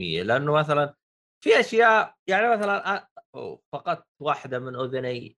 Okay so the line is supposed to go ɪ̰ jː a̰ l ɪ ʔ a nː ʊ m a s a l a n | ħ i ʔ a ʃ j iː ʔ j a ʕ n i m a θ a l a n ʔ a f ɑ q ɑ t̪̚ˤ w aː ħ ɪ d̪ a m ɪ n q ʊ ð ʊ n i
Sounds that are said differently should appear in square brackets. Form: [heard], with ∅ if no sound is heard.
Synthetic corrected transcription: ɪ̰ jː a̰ l ɪ ʔ a nː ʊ m a [θ] a l a n | [f] i ʔ a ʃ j [aː] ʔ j a ʕ n i m a θ a l a n ʔ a f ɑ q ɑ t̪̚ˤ w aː ħ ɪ d̪ a m ɪ n [ʔ] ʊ ð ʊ n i